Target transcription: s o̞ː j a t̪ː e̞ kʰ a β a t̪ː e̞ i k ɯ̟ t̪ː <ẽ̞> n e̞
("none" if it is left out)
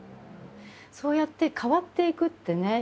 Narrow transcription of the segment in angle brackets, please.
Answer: e̞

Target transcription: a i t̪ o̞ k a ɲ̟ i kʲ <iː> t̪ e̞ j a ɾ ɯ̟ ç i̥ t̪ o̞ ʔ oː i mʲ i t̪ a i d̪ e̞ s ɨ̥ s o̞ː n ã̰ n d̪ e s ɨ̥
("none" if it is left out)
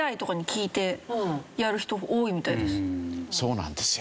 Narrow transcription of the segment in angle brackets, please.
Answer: iː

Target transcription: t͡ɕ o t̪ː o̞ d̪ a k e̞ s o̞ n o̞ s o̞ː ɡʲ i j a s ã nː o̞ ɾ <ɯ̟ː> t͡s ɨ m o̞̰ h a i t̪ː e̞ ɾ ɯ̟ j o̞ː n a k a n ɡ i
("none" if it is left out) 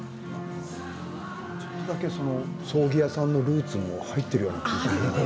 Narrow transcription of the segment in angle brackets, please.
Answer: ɯ̟ː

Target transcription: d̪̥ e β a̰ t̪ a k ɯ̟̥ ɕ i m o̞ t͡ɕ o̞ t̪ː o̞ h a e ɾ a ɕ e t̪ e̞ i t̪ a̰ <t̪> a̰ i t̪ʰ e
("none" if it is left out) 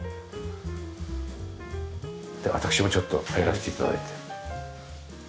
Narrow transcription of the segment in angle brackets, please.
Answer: d̪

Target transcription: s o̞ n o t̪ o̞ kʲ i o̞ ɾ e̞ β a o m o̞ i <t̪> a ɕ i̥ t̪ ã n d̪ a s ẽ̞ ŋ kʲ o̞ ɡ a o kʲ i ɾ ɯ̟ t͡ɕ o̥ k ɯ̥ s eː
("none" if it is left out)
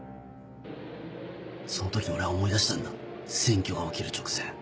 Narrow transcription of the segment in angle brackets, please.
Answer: d̪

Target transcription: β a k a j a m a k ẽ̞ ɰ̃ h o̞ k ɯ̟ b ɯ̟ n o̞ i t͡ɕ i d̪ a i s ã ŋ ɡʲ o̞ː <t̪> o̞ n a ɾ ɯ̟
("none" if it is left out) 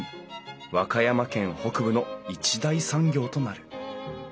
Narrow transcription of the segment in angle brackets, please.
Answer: t̪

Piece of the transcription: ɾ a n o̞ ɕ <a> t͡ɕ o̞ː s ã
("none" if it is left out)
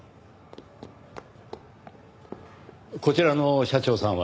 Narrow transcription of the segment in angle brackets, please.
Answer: a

